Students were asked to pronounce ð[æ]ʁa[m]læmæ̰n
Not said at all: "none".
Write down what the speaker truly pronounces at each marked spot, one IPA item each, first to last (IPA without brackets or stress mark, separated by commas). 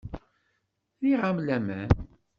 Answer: i, m